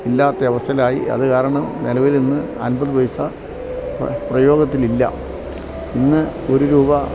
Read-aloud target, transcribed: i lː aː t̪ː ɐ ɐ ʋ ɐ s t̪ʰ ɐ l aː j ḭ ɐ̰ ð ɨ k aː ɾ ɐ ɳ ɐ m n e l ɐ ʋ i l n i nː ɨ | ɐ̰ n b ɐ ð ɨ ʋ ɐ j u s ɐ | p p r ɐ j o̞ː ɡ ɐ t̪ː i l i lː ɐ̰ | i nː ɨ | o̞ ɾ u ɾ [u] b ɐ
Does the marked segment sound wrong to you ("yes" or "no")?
yes